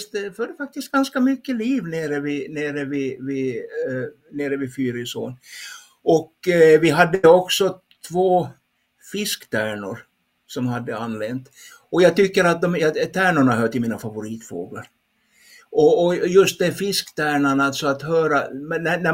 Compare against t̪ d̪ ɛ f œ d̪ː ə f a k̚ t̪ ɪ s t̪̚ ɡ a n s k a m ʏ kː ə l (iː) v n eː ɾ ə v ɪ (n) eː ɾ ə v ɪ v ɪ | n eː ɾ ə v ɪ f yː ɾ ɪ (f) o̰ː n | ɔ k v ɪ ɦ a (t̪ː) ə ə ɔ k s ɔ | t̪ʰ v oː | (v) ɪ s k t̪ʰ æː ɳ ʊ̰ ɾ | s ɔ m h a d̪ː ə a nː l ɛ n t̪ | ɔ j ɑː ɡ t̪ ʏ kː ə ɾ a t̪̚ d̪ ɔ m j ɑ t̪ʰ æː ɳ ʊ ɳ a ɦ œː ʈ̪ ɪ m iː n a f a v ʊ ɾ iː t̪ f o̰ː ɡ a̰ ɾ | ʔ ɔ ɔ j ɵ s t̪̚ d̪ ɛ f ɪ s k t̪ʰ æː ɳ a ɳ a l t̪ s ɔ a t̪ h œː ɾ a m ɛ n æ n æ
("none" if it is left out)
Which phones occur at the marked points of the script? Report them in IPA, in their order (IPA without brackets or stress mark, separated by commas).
iː, n, s, d̪ː, f